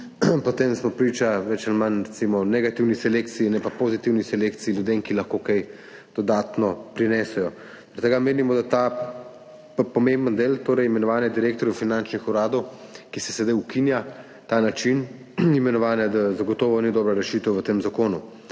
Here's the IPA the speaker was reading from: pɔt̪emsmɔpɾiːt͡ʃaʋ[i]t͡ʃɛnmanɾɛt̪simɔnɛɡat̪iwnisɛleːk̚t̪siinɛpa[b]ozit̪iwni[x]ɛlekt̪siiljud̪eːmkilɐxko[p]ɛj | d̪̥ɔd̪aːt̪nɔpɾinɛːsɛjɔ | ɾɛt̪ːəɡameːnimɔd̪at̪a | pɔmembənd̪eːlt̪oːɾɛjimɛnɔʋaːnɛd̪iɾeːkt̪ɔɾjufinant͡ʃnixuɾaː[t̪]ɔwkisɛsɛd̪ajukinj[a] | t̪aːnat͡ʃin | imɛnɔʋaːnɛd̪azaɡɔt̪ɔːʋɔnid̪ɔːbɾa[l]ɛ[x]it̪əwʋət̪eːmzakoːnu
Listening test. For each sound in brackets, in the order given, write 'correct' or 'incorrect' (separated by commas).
incorrect, incorrect, incorrect, incorrect, incorrect, correct, incorrect, incorrect